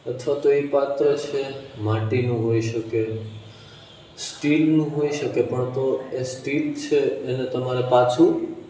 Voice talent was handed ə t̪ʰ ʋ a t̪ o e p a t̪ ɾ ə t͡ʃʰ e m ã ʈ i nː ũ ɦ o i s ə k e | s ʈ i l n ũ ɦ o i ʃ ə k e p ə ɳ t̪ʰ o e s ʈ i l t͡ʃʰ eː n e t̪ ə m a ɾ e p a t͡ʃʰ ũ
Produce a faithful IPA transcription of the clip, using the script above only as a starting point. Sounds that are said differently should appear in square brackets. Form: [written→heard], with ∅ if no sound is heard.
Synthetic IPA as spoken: ə t̪ʰ ʋ a t̪ o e p a t̪ ɾ ə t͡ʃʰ e m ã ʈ i [nː→n] ũ ɦ o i [s→ʃ] ə k e | s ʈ i l n ũ ɦ o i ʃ ə k e p ə ɳ [t̪ʰ→t̪] o e s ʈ i l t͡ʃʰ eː n e t̪ ə m a ɾ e p a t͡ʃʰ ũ